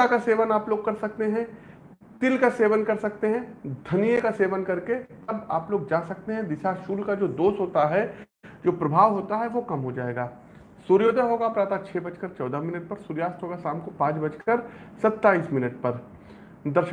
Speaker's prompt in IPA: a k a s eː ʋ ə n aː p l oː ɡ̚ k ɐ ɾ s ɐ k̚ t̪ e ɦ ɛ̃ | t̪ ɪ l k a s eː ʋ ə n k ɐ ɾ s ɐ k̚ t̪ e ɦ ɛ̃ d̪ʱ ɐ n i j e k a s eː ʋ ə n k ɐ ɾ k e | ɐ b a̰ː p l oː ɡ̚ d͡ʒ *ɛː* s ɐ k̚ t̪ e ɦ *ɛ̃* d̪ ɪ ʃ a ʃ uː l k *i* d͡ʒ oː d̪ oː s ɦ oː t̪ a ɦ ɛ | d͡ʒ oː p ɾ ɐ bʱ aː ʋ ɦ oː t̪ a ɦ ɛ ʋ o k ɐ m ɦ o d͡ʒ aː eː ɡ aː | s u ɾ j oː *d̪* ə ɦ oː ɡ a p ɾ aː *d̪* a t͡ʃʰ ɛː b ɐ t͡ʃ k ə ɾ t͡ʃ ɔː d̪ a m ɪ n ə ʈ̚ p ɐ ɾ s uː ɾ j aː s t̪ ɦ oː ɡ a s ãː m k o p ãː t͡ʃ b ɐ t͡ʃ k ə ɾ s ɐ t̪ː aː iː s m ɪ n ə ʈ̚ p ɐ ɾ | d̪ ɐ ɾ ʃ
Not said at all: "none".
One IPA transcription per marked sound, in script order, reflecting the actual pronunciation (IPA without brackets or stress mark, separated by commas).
aː, ɛ̃, a, d̪, t̪